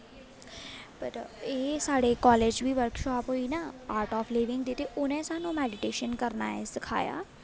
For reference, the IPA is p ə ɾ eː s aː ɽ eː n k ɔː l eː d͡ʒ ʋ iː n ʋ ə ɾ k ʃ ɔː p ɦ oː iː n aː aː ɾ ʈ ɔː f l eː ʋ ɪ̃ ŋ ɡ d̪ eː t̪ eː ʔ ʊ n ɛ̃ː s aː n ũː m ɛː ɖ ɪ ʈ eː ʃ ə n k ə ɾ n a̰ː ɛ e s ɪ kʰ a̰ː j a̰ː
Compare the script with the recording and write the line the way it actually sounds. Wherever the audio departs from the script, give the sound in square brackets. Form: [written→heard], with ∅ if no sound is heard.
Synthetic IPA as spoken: p ə ɾ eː s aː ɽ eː [n→∅] k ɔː l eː d͡ʒ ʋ iː [n→∅] ʋ ə ɾ k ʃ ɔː p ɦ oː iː n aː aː ɾ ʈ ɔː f l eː ʋ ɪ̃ ŋ ɡ d̪ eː t̪ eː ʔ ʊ n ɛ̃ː s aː n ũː m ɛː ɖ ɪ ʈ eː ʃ ə n k ə ɾ n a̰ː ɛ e s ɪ kʰ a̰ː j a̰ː